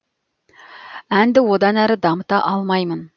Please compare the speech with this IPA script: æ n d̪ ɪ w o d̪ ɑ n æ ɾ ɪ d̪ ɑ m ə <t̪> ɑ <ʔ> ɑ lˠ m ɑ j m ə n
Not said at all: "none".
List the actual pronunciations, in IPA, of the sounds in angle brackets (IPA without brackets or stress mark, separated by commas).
t̪, ʔ